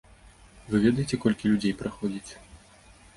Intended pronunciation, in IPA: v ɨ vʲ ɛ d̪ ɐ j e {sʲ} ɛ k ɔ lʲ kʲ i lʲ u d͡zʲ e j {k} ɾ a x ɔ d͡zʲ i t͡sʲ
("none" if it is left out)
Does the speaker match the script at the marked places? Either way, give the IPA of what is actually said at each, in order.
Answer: t͡sʲ, p

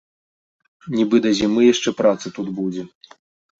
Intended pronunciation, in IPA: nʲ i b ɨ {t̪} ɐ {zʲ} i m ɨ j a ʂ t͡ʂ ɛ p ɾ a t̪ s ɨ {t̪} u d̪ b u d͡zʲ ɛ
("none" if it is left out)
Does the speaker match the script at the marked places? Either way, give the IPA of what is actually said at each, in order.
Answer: d̪, zʲ, t̪

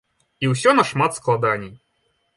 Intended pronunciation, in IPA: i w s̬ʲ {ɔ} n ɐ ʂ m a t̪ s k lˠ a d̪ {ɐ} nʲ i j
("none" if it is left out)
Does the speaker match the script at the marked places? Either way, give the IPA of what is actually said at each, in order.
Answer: ɔ, a

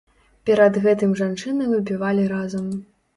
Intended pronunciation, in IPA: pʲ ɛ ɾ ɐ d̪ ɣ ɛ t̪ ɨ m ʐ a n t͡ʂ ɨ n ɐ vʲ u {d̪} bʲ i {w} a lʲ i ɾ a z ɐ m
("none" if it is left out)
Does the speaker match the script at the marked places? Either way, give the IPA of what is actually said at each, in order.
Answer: none, v

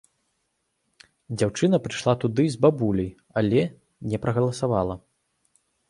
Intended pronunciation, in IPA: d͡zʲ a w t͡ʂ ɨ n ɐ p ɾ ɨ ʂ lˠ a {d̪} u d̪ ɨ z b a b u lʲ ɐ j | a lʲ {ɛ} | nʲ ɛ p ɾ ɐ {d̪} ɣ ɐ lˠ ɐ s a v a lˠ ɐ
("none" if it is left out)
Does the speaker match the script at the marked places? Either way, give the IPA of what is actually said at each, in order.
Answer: t̪, ɛ, none

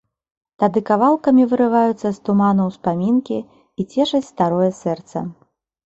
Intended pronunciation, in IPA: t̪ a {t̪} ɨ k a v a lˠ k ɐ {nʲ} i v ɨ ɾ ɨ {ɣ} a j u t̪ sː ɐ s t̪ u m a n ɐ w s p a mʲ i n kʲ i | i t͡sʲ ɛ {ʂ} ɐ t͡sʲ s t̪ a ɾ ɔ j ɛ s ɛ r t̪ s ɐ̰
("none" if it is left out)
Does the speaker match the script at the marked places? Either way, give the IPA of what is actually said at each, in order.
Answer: d̪, mʲ, v, ʂ

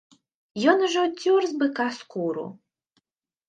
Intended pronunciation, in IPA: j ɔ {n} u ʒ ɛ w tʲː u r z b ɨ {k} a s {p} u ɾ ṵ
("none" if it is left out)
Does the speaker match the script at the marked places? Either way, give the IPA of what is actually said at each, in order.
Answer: n, k, k

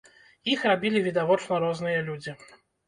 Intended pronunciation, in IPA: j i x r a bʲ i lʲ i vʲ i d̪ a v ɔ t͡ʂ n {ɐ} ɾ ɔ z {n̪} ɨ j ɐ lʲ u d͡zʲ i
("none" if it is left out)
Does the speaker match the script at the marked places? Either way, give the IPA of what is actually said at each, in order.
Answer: ɐ, n̪

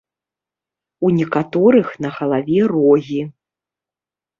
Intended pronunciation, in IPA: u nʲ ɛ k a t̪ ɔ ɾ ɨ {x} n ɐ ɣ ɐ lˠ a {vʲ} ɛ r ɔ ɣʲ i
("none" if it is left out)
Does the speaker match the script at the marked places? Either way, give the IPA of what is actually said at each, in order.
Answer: x, vʲ

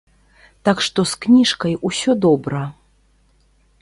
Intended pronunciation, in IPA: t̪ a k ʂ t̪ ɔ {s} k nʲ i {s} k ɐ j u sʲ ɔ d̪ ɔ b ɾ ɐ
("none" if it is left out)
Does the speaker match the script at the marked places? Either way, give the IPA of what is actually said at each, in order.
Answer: s, ʂ

